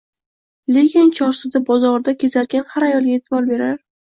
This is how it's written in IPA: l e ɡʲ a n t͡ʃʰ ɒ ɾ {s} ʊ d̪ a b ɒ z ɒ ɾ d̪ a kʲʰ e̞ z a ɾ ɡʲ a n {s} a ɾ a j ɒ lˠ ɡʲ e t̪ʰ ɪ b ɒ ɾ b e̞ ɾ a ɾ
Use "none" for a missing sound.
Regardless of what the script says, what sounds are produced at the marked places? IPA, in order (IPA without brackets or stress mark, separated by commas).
s, h